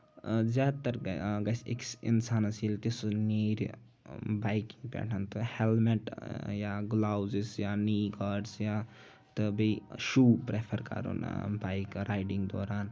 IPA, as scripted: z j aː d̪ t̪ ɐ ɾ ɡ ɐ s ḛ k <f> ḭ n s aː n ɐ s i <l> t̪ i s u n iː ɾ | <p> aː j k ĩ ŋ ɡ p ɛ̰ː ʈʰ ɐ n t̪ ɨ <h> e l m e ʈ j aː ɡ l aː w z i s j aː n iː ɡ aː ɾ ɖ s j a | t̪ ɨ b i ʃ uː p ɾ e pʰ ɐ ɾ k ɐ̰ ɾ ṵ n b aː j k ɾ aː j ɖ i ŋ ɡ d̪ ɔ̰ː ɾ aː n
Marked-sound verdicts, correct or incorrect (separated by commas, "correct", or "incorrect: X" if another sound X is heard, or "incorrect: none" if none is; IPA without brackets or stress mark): incorrect: s, correct, incorrect: b, correct